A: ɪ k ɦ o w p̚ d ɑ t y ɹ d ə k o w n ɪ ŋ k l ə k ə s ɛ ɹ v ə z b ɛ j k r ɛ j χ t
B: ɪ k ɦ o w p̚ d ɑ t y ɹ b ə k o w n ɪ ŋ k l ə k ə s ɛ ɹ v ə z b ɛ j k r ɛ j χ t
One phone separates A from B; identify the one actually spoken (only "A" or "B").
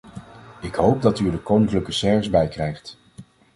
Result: A